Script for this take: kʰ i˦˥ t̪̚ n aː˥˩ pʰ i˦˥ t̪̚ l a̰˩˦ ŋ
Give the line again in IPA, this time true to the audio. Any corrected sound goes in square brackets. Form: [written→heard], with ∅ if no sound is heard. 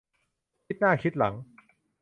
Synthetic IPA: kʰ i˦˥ t̪̚ n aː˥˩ [pʰ→kʰ] i˦˥ t̪̚ l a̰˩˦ ŋ